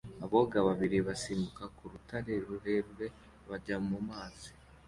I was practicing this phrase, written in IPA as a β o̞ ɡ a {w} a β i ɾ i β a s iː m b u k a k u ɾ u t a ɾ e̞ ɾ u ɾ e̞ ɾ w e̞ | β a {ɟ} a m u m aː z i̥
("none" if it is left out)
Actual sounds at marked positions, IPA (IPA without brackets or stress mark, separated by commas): β, ɟ